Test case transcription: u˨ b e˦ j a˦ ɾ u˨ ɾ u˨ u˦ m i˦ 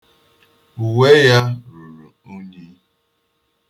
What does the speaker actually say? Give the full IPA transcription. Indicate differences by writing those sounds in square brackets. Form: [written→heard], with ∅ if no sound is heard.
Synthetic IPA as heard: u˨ [b→w] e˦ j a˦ ɾ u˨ ɾ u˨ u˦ [m→ɲ] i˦